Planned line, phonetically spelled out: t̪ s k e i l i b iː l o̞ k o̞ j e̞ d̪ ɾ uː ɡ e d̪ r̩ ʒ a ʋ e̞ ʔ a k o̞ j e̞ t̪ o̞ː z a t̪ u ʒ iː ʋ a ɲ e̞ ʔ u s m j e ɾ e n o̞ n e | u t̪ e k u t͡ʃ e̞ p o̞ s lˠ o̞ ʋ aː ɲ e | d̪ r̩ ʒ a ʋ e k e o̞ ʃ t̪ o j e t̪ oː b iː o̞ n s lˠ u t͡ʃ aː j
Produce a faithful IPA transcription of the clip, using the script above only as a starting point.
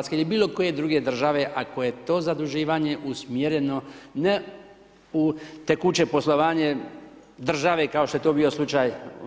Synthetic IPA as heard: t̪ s k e i l i b iː l o̞ k o̞ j e̞ d̪ ɾ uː ɡ e d̪ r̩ ʒ a ʋ e̞ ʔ a k o̞ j e̞ t̪ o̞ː z a d̪ u ʒ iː ʋ a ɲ e̞ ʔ u s m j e ɾ e n o̞ n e | u t̪ e k u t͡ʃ e̞ p o̞ s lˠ o̞ ʋ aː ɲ e | d̪ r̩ ʒ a ʋ e k a o̞ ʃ t̪ o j e t̪ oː b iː o̞ s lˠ u t͡ʃ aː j